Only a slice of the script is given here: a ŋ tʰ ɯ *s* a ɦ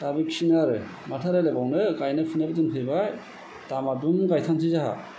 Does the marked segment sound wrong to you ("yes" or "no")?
yes